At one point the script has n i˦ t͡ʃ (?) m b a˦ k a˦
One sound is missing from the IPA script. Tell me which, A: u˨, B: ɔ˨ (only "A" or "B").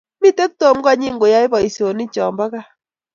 B